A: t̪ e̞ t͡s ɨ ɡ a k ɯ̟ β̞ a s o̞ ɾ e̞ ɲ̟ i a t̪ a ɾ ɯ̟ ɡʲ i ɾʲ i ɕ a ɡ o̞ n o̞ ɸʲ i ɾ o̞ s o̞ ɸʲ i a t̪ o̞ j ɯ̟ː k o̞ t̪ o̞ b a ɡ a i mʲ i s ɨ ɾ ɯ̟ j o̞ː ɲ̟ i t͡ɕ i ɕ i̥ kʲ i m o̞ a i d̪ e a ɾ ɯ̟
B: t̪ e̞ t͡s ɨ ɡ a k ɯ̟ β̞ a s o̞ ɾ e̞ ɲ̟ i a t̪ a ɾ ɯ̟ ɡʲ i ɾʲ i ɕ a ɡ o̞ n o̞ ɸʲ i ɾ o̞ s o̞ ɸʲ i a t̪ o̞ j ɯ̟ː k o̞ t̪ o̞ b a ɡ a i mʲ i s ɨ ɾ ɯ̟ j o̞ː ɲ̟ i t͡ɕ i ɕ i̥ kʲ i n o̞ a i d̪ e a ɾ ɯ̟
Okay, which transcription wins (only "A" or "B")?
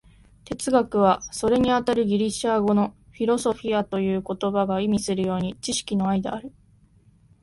B